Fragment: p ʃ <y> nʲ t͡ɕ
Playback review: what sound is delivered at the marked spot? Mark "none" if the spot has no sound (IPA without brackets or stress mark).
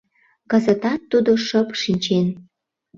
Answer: i